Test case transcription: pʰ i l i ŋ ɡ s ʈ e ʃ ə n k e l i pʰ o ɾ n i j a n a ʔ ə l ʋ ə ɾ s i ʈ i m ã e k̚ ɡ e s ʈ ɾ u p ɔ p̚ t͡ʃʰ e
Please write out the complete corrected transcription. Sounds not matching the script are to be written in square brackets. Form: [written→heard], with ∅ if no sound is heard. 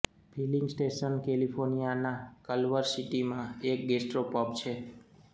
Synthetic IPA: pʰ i l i ŋ ɡ s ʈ e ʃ ə n k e l i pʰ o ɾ n i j a n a [ʔ→k] ə l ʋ ə ɾ s i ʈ i m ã e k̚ ɡ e s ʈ ɾ [u→o] p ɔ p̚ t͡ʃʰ e

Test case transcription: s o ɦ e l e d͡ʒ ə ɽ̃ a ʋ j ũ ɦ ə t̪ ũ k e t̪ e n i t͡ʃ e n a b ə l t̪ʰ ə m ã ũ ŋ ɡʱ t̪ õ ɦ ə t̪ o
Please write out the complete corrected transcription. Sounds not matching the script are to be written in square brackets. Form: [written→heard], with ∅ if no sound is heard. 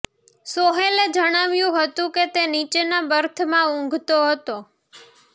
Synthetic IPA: s o ɦ e l e d͡ʒ ə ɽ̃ a ʋ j ũ ɦ ə t̪ ũ k e t̪ e n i t͡ʃ e n a b ə [l→ɾ] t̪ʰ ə m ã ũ ŋ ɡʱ t̪ [õ→o] ɦ ə t̪ o

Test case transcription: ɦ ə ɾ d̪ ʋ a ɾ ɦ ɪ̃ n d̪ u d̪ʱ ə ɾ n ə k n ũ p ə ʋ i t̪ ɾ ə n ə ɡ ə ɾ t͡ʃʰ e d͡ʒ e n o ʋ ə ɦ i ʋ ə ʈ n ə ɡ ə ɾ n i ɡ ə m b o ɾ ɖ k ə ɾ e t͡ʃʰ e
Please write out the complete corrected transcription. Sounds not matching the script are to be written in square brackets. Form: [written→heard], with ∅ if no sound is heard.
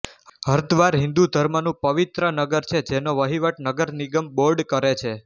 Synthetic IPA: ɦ ə ɾ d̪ ʋ a ɾ ɦ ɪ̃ n d̪ u d̪ʱ ə ɾ [n→m] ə [k→∅] n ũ p ə ʋ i t̪ ɾ ə n ə ɡ ə ɾ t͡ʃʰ e d͡ʒ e n o ʋ ə ɦ i ʋ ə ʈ n ə ɡ ə ɾ n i ɡ ə m b o ɾ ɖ k ə ɾ e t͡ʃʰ e

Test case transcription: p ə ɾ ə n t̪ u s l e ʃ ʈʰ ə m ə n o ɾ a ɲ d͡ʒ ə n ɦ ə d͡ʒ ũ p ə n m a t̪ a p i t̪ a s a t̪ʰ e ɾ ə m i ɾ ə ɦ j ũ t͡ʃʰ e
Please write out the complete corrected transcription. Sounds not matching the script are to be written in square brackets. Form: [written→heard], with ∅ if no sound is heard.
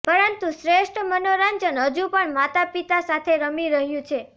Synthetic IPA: p ə ɾ ə n t̪ u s [l→ɾ] e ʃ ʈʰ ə m ə n o ɾ a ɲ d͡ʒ ə n ɦ ə d͡ʒ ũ p ə [n→ɳ] m a t̪ a p i t̪ a s a t̪ʰ e ɾ ə m i ɾ ə ɦ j ũ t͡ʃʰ e

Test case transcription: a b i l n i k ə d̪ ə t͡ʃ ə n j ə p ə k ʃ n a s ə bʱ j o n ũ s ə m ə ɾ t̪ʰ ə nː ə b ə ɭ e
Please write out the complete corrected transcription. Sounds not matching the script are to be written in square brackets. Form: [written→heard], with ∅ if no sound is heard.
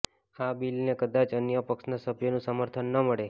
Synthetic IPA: a b i l n [i→e] k ə d̪ [ə→a] t͡ʃ ə n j ə p ə k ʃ n a s ə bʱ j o n ũ s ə m ə ɾ t̪ʰ ə nː ə [b→m] ə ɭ e

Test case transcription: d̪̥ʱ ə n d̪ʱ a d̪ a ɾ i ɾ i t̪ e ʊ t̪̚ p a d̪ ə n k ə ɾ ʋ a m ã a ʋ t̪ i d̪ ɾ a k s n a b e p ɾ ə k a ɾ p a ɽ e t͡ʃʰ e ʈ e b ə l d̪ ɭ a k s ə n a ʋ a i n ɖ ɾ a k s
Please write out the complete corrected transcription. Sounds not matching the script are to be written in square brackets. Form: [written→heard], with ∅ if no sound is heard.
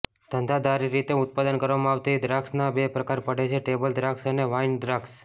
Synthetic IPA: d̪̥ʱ ə n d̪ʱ a d̪ a ɾ i ɾ i t̪ e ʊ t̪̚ p a d̪ ə n k ə ɾ ʋ a m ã a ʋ t̪ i d̪ ɾ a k s n a b e p ɾ ə k a ɾ p [a→ə] ɽ e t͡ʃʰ e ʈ e b ə l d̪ [ɭ→ɾ] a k s ə n [a→e] ʋ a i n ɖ ɾ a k s

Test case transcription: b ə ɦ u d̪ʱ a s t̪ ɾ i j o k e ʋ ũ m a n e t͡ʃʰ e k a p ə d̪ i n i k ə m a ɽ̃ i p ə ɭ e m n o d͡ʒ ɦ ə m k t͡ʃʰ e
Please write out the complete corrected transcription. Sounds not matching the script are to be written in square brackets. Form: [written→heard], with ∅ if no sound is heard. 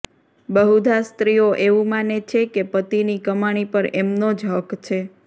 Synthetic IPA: b ə ɦ u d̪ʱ a s t̪ ɾ i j o [k→ʔ] e ʋ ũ m a n e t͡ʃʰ e k [a→e] p ə [d̪→t̪] i n i k ə m a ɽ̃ i p ə [ɭ→ɾ] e m n o d͡ʒ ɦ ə [m→∅] k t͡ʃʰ e

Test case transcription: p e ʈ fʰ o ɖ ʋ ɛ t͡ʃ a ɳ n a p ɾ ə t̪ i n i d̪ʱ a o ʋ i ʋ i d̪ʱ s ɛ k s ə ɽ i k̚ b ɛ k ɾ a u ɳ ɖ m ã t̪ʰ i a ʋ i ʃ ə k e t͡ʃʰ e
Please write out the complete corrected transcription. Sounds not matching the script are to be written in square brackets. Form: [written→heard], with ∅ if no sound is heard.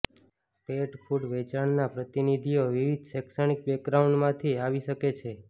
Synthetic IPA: p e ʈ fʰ [o→u] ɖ ʋ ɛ t͡ʃ a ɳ n a p ɾ ə t̪ i n i d̪ʱ [a→i] o ʋ i ʋ i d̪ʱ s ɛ k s ə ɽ i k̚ b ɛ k ɾ a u ɳ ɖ m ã t̪ʰ i a ʋ i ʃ ə k e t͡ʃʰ e

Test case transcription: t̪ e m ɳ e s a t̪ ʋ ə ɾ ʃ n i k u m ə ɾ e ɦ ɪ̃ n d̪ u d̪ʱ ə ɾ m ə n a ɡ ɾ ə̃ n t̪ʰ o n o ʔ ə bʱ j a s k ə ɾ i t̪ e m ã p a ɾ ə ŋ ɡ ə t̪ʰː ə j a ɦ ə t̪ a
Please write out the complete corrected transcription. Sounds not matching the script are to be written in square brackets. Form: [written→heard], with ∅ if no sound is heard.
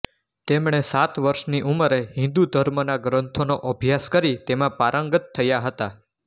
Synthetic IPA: t̪ e m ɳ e s a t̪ ʋ ə ɾ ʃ n i [k→ʔ] u m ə ɾ e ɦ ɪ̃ n d̪ u d̪ʱ ə ɾ m ə n a ɡ ɾ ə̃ n t̪ʰ o n o ʔ ə bʱ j a s k ə ɾ i t̪ e m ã p a ɾ ə ŋ ɡ ə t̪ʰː ə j a ɦ ə t̪ a

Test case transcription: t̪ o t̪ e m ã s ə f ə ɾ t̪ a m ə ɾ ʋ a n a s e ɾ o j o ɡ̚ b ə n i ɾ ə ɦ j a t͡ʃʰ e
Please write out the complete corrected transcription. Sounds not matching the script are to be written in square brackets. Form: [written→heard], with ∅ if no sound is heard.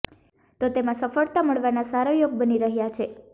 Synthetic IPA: t̪ o t̪ e m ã s ə f ə [ɾ→ɭ] t̪ a m ə [ɾ→ɭ] ʋ a n a s [e→a] ɾ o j o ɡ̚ b ə n i ɾ ə ɦ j a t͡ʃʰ e

